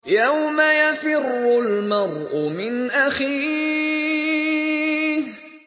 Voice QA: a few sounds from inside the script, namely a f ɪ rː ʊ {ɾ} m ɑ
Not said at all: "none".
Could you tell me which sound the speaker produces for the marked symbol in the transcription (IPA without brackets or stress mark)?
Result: l